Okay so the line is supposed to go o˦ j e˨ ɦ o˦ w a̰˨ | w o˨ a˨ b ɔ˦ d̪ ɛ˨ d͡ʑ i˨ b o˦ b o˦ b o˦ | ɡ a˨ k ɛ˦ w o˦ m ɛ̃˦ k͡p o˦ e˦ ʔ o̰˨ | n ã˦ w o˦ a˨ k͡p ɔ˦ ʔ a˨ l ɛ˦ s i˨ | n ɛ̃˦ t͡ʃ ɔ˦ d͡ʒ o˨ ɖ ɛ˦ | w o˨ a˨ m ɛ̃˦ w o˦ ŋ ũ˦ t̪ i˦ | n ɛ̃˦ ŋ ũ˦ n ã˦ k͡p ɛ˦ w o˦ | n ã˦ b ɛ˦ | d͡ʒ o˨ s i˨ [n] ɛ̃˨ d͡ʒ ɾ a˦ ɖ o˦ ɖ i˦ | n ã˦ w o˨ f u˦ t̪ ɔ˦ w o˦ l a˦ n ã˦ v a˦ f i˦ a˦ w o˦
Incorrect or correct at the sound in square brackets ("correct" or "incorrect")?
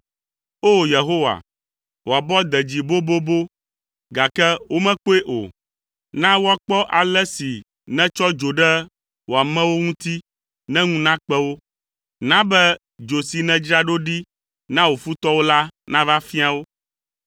correct